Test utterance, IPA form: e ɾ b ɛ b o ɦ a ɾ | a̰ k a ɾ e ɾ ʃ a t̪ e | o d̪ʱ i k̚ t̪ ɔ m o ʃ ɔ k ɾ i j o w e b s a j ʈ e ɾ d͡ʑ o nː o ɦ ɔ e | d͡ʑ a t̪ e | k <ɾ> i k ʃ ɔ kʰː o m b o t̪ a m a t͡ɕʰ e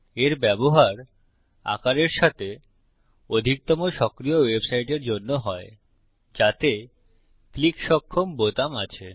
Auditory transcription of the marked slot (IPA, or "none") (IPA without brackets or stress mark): l